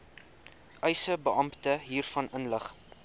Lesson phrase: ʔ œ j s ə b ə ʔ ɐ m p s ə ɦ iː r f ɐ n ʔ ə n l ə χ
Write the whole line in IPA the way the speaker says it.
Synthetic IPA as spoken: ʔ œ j s ə b ə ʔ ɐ m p t ə ɦ iː r f ɐ n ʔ ə n l ə χ